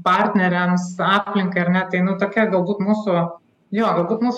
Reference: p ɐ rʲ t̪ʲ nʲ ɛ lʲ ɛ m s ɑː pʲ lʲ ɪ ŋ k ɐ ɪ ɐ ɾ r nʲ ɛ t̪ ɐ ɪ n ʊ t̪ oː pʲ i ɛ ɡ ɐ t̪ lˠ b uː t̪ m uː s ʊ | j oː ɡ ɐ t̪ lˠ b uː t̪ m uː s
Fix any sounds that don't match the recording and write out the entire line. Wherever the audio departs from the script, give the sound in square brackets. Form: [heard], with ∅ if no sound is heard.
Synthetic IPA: p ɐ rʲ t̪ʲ nʲ ɛ [ɾʲ] ɛ m s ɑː pʲ lʲ ɪ ŋ k ɐ ɪ ɐ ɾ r nʲ ɛ t̪ ɐ ɪ n ʊ t̪ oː [kʲ] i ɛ ɡ ɐ [∅] lˠ b uː t̪ m uː s ʊ | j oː ɡ ɐ [∅] lˠ b uː t̪ m uː s